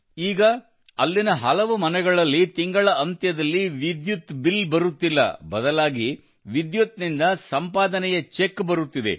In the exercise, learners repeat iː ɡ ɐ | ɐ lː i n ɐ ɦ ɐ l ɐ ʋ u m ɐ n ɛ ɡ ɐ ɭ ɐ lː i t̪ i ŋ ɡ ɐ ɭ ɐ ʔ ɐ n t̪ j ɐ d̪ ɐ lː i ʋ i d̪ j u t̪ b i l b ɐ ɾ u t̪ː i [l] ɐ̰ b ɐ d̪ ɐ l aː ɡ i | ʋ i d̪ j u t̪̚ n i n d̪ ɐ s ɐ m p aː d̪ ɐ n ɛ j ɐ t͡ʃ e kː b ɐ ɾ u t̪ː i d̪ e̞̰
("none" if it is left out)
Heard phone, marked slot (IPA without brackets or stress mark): lː